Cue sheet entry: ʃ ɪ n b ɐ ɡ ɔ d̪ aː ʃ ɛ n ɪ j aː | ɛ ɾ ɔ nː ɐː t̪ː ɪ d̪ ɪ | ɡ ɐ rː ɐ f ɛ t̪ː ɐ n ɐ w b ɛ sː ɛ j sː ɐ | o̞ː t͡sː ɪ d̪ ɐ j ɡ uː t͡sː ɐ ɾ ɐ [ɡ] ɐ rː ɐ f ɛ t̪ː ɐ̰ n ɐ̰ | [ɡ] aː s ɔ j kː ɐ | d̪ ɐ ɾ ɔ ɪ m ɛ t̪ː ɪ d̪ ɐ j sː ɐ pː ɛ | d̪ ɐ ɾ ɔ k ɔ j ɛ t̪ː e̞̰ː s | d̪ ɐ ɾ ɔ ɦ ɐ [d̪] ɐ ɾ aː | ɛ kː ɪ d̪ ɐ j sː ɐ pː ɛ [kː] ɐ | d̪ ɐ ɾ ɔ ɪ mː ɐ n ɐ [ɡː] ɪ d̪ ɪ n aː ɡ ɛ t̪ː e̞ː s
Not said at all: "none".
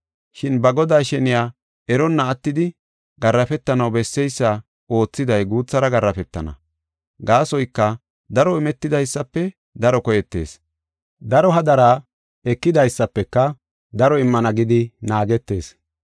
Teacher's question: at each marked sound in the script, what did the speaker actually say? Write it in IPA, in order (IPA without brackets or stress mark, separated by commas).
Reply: ɡ, ɡ, d̪, kː, ɡ